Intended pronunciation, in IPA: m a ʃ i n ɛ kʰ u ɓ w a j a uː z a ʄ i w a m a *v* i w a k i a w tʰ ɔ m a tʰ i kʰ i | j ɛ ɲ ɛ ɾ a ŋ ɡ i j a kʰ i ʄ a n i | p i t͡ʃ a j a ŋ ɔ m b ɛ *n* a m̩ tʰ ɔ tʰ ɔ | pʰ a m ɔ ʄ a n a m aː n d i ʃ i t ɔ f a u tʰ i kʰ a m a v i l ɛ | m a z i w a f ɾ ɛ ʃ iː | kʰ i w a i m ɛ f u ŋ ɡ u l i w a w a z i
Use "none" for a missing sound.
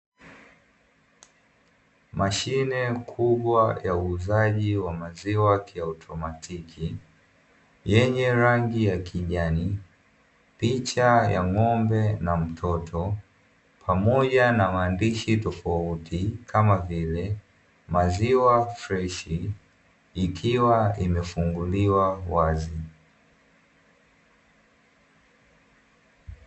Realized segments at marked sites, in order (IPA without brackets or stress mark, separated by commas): z, n